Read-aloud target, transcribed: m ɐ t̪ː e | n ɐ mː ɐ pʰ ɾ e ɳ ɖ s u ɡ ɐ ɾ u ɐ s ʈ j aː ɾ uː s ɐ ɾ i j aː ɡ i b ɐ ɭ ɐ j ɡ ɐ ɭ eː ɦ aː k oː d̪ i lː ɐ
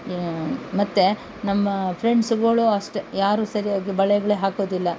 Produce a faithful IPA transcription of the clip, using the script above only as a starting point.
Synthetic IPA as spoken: m ɐ t̪ː e | n ɐ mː ɐ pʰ ɾ e ɳ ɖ s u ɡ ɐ ɭ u ɐ ʂ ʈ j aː ɾ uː s ɐ ɾ i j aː ɡ i b ɐ ɭ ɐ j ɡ ɐ ɭ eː ɦ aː k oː d̪ i lː ɐ